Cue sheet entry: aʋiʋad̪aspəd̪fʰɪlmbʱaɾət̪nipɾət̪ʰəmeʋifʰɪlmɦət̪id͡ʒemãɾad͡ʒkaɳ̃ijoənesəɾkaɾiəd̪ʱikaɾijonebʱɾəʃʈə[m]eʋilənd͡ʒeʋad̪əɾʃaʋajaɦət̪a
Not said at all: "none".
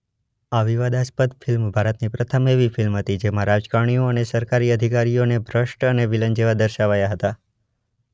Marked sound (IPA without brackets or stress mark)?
n